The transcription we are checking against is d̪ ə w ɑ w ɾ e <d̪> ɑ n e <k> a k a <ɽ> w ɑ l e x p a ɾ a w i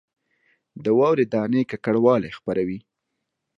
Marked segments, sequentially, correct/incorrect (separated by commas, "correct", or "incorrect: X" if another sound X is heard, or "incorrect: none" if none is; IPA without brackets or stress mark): correct, correct, correct